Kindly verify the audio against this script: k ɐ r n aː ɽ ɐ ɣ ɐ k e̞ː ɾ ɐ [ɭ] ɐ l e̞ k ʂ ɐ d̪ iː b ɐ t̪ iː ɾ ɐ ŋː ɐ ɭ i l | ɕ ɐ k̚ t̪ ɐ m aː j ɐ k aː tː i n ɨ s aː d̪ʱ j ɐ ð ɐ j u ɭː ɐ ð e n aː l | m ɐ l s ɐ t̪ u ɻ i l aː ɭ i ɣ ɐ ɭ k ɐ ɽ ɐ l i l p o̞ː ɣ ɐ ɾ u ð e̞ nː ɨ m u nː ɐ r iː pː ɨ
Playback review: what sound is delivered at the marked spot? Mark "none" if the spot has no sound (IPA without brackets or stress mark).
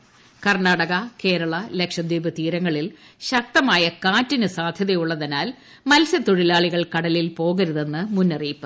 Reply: ɭ